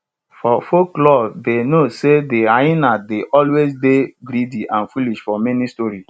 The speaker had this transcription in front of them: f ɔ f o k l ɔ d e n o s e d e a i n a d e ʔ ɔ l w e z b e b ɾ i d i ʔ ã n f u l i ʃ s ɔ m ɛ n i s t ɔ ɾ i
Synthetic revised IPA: f ɔ f o k l ɔ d e n o s e d e a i n a d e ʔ ɔ l w e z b e b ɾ i d i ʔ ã n f u l i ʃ f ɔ m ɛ n i s t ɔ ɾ i